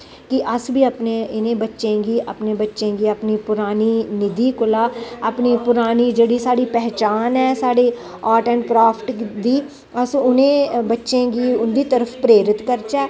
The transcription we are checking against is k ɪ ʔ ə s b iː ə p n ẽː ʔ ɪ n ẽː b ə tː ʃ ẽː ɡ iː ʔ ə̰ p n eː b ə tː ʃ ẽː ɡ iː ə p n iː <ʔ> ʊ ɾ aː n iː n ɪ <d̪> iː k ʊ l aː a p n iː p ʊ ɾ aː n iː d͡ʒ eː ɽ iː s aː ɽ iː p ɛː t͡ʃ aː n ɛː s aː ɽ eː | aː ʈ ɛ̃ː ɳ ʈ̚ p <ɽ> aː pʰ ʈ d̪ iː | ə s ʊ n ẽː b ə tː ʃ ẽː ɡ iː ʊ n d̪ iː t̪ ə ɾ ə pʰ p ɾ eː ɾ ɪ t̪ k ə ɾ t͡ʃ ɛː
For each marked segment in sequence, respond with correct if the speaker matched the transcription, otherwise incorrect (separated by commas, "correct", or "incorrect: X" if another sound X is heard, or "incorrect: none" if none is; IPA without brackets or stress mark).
incorrect: p, correct, incorrect: ɾ